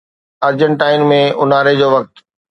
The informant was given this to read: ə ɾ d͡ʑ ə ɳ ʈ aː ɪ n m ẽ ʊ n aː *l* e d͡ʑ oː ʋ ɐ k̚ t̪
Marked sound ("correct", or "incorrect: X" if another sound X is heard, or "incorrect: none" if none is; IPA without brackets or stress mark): incorrect: ɾ